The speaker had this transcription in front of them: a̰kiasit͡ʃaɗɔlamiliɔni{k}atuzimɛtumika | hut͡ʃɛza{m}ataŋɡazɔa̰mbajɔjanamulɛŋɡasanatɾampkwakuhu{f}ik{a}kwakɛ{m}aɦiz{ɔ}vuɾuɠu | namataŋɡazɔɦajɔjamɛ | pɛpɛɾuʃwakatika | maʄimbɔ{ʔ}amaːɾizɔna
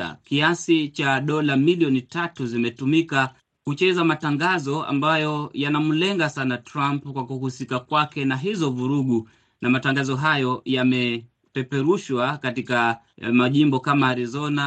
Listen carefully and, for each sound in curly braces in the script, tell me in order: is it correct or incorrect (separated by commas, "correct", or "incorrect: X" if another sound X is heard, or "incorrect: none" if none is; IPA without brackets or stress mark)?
incorrect: t, correct, incorrect: s, correct, incorrect: n, correct, incorrect: k